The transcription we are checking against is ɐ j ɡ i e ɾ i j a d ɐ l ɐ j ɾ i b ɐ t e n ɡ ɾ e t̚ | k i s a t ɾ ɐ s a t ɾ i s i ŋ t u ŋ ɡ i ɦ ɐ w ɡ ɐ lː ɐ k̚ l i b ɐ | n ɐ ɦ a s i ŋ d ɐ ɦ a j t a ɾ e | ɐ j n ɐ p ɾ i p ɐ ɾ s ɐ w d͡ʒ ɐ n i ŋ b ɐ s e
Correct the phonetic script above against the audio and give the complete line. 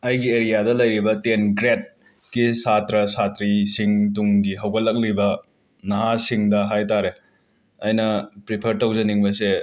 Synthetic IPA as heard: ɐ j ɡ i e ɾ i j a d ɐ l ɐ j ɾ i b ɐ t e n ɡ ɾ e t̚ | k i s a t ɾ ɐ s a t ɾ i s i ŋ t u ŋ ɡ i ɦ ɐ w ɡ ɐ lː ɐ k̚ l i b ɐ | n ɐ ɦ a s i ŋ d ɐ ɦ a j t a ɾ e | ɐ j n ɐ p ɾ i pʰ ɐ ɾ t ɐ w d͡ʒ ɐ n i ŋ b ɐ s e